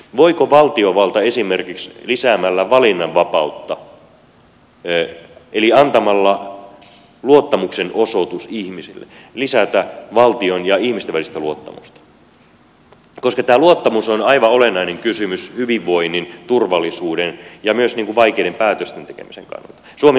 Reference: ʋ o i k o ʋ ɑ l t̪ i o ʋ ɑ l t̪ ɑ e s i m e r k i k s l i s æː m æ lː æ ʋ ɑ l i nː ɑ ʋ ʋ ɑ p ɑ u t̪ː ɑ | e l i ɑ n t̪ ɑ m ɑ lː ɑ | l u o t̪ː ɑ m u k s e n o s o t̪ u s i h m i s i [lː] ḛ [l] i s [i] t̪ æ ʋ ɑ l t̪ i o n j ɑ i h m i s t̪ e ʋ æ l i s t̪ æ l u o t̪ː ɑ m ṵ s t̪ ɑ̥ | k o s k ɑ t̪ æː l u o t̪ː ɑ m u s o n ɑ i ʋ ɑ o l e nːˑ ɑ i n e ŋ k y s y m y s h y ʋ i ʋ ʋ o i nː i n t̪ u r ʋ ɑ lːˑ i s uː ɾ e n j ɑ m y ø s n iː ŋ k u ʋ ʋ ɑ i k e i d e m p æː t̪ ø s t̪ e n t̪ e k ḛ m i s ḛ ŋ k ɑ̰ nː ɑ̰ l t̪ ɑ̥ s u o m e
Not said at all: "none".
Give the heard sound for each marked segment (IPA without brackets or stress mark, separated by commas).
lː, l, æ